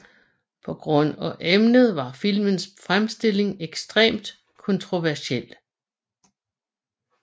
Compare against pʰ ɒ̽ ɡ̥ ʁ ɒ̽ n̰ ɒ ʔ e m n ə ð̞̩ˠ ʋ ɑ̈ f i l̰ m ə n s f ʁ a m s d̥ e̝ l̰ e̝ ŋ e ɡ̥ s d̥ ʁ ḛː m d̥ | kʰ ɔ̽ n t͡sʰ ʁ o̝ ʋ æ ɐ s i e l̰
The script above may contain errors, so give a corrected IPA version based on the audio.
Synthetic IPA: pʰ ɒ̽ ɡ̥ ʁ ɔ̽ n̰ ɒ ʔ e m n ə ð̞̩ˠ ʋ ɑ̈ f i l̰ m ə n s f ʁ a m s d̥ e̝ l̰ e̝ ŋ e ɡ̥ s d̥ ʁ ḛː m d̥ | kʰ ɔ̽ n t͡sʰ ʁ o̝ ʋ æ ɐ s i e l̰